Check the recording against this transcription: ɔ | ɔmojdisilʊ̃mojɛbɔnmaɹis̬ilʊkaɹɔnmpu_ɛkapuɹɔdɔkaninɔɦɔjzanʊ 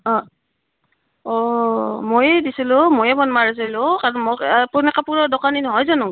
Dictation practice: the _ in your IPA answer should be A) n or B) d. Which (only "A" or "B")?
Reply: A